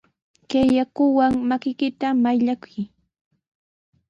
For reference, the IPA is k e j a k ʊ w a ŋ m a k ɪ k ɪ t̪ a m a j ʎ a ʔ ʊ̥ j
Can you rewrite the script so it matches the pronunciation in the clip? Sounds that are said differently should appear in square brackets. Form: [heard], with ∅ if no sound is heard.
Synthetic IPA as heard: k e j a k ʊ w a ŋ m a k ɪ k ɪ t̪ a m a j ʎ a [k] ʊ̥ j